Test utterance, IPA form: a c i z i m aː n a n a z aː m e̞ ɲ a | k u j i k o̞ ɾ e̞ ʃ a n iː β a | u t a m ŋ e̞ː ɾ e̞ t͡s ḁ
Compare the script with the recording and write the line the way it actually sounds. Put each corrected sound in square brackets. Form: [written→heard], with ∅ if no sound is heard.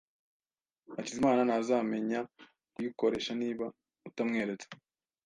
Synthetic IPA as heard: a c i z i m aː n a n a z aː m e̞ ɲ a | k u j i k o̞ ɾ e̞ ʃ a n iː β a | u t a m ŋ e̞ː ɾ e̞ t͡s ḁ